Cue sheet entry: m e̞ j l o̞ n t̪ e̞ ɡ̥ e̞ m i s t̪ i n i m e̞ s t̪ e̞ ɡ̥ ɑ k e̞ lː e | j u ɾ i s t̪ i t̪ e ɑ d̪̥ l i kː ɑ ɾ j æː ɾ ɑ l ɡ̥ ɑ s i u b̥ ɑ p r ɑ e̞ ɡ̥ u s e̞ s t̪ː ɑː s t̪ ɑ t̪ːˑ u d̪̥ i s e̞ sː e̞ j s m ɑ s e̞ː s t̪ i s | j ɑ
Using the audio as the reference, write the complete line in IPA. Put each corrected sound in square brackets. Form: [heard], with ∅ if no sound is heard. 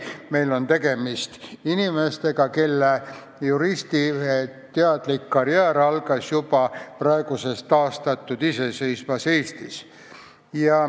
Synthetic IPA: m e̞ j l o̞ n t̪ e̞ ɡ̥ e̞ m i s t̪ i n i m e̞ s t̪ e̞ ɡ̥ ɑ k e̞ lː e | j u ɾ i s t̪ i t̪ e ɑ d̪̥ l i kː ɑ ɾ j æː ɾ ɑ l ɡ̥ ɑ s [j] u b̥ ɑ p r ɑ e̞ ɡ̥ u s e̞ s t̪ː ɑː s t̪ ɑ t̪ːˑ u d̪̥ i s e̞ [s] e̞ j s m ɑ s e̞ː s t̪ i s | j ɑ